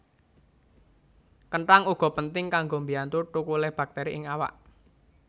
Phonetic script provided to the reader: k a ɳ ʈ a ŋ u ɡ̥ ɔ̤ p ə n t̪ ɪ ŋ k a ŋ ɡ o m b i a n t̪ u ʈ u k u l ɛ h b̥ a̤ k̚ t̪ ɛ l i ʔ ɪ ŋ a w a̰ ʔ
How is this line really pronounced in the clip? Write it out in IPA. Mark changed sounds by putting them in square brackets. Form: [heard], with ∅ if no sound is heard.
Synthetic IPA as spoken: k [ə] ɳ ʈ a ŋ u ɡ̥ ɔ̤ p ə n t̪ ɪ ŋ k a ŋ ɡ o m b i a n t̪ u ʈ u k u l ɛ h b̥ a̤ k̚ t̪ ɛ [ɾ] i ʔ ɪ ŋ a w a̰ ʔ